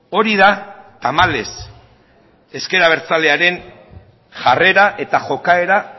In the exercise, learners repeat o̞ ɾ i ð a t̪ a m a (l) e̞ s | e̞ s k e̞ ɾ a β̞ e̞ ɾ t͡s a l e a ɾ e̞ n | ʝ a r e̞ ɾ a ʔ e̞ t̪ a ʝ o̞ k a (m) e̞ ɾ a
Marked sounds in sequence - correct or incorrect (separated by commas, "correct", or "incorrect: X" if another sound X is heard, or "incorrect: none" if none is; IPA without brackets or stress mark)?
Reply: correct, incorrect: none